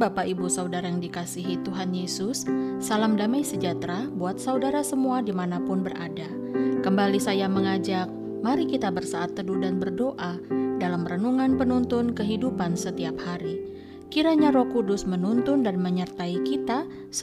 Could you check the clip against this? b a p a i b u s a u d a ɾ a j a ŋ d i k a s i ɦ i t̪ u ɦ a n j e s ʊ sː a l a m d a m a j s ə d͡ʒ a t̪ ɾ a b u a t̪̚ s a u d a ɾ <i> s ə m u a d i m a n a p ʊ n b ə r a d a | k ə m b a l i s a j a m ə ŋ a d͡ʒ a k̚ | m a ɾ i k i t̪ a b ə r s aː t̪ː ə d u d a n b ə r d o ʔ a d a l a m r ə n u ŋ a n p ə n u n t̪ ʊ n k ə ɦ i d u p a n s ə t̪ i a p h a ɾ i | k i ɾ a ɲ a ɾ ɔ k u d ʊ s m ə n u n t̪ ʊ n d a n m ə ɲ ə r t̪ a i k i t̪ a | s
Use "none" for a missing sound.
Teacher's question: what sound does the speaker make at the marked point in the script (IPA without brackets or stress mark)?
a